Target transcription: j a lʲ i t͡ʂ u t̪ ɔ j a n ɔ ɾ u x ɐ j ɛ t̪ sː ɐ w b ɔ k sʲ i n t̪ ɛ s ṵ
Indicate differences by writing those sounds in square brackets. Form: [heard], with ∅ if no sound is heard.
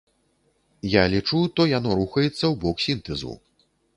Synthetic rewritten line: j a lʲ i t͡ʂ u t̪ ɔ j a n ɔ ɾ u x ɐ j ɛ t̪ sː ɐ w b ɔ k sʲ i n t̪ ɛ [z] ṵ